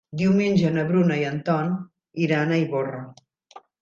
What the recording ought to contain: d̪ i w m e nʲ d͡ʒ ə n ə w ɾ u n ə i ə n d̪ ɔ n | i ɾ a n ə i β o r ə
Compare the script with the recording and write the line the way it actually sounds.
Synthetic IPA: d̪ i w m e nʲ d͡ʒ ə n ə β ɾ u n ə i ə n t̪ ɔ n | i ɾ a n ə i β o r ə

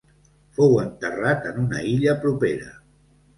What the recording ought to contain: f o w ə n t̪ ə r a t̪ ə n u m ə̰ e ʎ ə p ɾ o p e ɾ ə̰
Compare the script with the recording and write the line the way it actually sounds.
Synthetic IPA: f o w ə n t̪ ə r a t̪ ə n u n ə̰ i ʎ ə p ɾ u p e ɾ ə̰

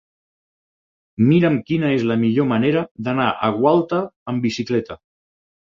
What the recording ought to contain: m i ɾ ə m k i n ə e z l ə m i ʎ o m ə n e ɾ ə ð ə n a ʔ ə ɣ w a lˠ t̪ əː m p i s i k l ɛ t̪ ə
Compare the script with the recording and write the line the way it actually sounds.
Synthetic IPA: m i ɾ ə m k i n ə e z l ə m i ʎ o m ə n e ɾ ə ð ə n a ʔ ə ɣ w a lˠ t̪ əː m b i s i k l ɛ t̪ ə

